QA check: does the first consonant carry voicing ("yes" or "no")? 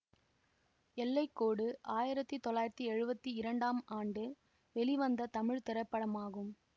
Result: yes